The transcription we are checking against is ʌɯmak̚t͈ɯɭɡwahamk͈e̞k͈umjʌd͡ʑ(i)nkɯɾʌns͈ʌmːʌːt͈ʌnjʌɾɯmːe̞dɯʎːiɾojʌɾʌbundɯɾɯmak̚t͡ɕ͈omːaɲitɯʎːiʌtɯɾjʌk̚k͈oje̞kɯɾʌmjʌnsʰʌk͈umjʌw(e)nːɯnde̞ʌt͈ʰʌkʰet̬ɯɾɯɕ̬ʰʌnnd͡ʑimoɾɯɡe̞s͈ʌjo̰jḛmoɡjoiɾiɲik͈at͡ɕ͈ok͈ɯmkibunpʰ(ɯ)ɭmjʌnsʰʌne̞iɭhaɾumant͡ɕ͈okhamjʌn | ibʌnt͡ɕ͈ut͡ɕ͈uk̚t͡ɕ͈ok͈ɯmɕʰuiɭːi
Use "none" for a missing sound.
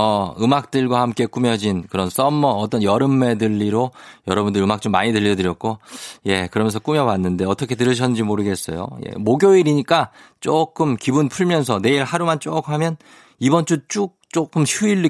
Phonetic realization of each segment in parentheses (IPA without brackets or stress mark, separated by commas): i, a, u